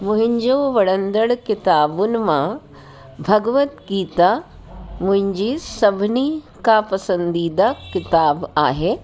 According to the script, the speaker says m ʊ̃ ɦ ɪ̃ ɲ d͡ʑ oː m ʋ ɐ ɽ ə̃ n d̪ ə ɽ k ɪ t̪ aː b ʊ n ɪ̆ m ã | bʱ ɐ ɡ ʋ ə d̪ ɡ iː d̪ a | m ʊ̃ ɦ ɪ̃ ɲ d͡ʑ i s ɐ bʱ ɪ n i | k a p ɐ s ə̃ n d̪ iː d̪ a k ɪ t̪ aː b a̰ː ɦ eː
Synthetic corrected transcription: m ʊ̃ ɦ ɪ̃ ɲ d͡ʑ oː ʋ ɐ ɽ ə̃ n d̪ ə ɽ k ɪ t̪ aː b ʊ n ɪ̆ m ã | bʱ ɐ ɡ ʋ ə t̪ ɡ iː t̪ a | m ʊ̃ ɦ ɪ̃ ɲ d͡ʑ i s ɐ bʱ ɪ n i | k a p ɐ s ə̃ n d̪ iː d̪ a k ɪ t̪ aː b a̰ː ɦ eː